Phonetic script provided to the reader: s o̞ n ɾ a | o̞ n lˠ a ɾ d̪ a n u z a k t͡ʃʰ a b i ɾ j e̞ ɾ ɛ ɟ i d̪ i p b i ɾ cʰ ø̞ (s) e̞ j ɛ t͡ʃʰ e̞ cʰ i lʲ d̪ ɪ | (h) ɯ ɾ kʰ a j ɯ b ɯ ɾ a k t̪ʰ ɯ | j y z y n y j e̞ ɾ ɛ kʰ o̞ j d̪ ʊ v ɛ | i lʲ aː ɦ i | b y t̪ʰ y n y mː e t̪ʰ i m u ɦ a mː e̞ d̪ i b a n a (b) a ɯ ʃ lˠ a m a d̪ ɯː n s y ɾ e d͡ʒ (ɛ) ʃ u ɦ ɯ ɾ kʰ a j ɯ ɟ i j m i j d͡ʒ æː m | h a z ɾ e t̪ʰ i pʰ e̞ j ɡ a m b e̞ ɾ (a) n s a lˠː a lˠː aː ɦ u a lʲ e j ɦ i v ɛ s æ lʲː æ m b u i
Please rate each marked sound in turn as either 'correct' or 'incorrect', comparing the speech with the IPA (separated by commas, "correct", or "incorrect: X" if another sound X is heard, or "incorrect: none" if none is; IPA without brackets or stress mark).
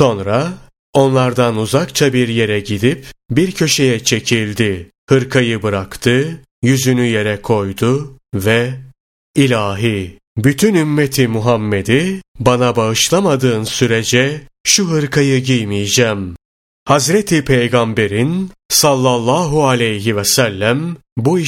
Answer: incorrect: ʃ, correct, correct, correct, incorrect: i